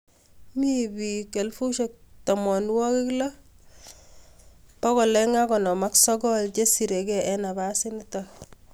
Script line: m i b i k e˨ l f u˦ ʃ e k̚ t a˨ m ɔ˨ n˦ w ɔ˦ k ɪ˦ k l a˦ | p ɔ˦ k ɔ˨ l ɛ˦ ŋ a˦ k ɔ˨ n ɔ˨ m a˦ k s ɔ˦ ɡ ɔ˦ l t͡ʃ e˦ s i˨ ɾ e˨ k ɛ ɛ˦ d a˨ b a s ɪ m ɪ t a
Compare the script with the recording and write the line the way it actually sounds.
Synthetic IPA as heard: m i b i k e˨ l f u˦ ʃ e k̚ t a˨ m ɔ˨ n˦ w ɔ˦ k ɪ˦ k l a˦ | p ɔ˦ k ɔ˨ l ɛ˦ ŋ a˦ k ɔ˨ n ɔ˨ m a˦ k s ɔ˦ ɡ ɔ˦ l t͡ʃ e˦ s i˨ ɾ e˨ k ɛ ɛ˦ n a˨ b a s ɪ n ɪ t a